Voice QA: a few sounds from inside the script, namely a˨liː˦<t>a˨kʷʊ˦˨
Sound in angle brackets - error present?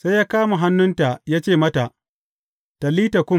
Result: no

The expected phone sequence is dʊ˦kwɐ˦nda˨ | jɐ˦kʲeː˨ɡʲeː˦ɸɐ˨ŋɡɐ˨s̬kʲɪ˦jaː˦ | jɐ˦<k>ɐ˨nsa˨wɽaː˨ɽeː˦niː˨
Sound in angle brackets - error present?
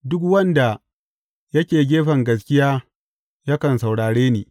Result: no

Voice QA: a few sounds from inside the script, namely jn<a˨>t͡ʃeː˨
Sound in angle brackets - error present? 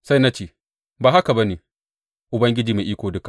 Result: yes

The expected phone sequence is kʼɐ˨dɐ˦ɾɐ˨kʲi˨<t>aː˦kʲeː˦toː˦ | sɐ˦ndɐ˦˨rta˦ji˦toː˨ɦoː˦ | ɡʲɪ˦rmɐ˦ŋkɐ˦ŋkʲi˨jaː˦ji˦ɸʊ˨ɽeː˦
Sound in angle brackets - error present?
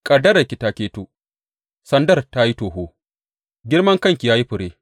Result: no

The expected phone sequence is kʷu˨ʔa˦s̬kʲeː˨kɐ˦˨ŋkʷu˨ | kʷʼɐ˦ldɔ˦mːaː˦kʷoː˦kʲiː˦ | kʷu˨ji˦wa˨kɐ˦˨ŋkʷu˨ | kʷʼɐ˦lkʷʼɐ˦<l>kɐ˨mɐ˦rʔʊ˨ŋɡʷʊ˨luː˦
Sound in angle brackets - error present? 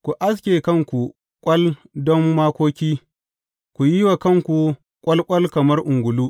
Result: no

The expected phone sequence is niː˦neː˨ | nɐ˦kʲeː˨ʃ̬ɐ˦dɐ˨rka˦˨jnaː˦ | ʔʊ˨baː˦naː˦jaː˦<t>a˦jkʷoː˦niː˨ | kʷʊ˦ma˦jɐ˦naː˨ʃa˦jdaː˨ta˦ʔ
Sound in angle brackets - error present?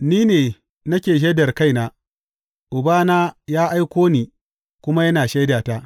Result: yes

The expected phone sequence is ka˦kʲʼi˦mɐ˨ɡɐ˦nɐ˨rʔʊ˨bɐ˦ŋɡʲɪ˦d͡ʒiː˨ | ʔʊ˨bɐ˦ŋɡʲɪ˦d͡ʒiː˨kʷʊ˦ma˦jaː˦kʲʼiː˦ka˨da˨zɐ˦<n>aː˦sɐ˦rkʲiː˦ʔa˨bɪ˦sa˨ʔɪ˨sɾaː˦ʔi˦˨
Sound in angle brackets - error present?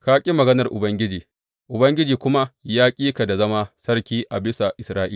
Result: yes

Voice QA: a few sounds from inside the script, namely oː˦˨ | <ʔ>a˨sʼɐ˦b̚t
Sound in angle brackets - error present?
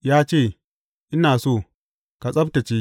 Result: yes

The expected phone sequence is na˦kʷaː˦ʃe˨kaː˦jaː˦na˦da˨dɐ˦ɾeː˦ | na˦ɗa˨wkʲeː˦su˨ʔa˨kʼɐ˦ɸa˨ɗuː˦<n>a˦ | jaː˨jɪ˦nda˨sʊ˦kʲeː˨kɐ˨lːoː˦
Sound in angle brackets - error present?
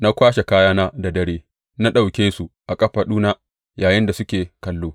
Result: no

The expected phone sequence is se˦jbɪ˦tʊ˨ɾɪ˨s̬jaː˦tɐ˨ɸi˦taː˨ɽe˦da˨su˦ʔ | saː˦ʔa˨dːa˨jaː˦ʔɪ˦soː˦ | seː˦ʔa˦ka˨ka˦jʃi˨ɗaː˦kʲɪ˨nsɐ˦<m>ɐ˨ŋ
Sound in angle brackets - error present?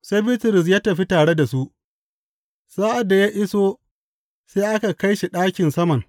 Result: no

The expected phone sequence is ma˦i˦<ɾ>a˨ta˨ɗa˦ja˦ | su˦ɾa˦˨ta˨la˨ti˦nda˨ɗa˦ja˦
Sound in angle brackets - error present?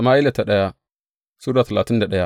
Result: yes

